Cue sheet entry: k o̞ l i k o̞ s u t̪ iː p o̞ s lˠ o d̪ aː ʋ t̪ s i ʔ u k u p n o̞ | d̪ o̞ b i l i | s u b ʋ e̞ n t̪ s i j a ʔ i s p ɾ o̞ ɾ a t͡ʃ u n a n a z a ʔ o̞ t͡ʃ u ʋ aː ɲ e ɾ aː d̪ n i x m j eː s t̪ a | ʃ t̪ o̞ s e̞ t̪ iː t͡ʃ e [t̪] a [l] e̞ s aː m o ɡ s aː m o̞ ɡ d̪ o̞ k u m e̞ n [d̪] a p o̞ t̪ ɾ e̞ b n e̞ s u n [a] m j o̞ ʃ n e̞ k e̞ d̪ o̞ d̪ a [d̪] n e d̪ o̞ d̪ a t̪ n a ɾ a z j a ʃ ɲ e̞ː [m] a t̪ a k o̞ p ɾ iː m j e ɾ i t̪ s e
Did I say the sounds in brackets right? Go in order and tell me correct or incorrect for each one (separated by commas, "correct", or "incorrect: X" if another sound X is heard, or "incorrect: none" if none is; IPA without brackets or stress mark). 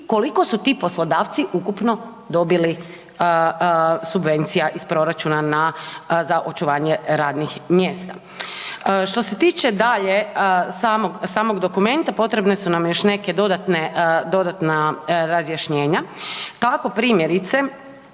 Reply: incorrect: d̪, incorrect: ʎ, incorrect: t̪, correct, incorrect: t̪, incorrect: ɲ